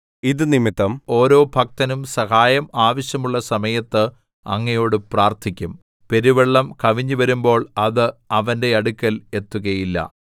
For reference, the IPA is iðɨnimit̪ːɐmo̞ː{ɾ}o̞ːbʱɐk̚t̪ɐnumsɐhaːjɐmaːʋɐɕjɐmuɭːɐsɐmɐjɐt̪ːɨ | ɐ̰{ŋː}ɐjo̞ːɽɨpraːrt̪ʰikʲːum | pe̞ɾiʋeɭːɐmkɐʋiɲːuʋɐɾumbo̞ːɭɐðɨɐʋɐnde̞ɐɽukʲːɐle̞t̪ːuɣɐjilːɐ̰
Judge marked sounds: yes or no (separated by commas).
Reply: yes, yes